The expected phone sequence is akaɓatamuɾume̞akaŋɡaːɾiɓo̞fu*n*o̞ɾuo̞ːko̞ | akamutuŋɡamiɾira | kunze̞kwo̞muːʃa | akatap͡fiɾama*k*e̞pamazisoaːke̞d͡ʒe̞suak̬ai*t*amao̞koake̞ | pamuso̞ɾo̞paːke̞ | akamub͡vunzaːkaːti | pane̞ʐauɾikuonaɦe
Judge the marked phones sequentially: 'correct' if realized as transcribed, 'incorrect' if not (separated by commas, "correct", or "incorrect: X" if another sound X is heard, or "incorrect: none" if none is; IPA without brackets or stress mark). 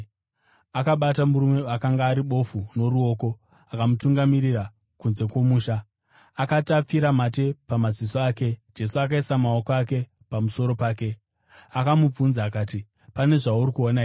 correct, incorrect: t, incorrect: s